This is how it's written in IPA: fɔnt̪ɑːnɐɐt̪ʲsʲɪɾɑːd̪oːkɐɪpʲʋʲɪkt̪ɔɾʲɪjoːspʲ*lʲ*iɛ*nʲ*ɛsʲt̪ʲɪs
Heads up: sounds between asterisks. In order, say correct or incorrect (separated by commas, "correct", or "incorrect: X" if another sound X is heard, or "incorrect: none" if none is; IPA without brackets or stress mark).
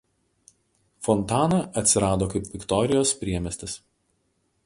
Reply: incorrect: ɾʲ, incorrect: mʲ